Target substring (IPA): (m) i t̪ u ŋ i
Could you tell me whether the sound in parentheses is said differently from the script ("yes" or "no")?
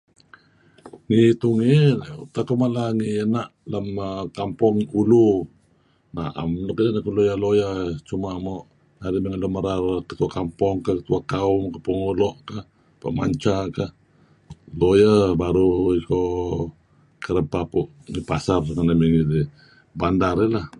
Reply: yes